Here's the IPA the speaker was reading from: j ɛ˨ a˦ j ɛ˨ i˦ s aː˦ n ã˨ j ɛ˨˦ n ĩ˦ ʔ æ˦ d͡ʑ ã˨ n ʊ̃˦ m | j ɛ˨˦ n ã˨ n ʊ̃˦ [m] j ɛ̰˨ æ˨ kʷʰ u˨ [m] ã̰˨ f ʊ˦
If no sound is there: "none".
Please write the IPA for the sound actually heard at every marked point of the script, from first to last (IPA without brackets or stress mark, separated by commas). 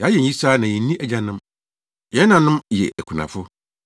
m, n